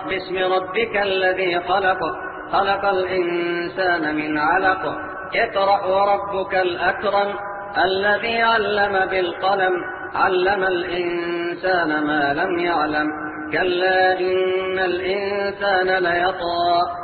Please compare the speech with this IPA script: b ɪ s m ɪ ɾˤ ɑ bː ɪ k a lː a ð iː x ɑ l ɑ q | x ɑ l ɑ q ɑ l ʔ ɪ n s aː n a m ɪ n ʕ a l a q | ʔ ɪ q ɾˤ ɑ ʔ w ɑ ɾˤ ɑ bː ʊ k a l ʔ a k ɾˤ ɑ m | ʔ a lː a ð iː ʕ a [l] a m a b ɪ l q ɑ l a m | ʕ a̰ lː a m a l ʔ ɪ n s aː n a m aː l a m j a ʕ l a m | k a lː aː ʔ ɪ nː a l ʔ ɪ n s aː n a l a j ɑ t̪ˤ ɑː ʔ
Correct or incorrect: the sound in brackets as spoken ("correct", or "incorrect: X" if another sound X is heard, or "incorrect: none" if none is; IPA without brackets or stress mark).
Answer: incorrect: lː